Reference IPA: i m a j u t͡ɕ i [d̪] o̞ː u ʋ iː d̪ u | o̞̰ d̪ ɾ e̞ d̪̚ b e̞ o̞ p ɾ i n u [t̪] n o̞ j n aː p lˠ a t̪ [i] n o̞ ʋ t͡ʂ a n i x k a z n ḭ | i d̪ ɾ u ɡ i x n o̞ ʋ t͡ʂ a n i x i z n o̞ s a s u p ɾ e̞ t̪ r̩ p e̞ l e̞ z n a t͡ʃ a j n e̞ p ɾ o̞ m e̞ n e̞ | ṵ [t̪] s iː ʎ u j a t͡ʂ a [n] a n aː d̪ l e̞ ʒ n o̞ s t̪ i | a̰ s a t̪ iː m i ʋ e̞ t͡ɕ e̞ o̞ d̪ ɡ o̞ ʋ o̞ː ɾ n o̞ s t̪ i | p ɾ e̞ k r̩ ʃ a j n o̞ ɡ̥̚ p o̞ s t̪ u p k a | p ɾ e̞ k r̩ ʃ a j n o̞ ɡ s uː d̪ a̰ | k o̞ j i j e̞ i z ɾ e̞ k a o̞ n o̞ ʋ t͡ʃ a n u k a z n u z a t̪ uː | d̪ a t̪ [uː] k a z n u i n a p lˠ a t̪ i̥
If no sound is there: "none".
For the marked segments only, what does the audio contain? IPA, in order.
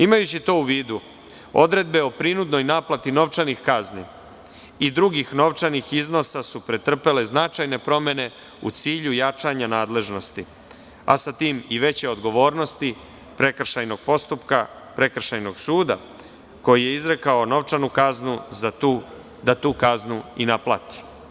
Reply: t̪, d̪, i, t̪, ɲ, uː

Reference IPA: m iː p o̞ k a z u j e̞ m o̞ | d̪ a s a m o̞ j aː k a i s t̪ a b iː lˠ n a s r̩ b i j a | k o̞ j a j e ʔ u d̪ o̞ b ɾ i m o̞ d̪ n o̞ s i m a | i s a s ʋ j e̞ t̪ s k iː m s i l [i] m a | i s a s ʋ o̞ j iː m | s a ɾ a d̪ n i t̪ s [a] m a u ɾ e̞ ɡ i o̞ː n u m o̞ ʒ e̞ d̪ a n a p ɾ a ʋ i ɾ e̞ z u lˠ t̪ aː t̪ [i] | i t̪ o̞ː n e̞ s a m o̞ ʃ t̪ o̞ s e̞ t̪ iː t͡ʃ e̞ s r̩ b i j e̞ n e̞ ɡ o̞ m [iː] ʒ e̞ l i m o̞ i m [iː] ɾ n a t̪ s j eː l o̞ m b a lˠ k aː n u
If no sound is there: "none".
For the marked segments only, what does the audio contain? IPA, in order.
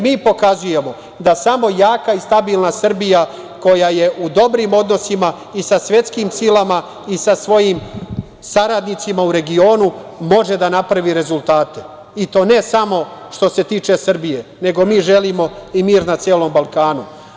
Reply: a, i, e, iː, iː

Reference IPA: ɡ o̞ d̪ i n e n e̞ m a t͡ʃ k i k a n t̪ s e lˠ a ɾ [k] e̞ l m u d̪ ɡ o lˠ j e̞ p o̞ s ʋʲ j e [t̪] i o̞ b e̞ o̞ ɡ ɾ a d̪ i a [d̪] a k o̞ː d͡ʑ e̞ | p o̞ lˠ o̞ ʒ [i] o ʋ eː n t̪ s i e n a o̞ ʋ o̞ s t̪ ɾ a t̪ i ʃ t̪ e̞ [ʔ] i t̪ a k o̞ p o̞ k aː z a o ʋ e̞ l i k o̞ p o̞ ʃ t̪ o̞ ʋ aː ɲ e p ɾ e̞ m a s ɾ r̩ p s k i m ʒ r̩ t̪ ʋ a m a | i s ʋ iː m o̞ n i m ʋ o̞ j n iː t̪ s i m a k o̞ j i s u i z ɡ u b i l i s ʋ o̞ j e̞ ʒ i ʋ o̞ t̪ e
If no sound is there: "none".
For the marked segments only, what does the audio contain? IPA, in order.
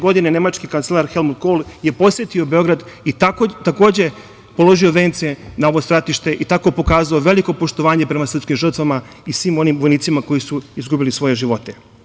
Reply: x, t̪, t̪, i, ʔ

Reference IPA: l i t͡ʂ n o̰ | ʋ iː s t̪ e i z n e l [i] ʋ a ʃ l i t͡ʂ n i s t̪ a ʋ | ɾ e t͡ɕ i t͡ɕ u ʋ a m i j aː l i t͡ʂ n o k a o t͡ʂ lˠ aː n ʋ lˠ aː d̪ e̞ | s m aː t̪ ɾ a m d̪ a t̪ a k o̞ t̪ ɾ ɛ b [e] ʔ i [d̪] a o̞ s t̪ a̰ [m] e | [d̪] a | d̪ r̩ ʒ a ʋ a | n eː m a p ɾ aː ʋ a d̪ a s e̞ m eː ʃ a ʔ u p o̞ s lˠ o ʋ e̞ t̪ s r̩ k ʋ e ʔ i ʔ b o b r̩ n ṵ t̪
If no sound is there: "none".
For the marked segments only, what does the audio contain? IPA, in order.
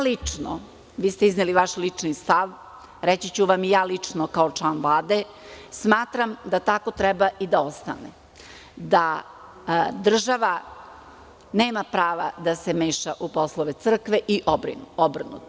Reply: i, a, d̪, n, d̪

